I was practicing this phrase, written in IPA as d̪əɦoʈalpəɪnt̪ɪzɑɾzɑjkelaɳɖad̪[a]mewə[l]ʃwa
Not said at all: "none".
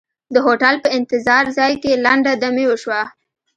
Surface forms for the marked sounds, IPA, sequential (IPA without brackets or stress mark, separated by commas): a, none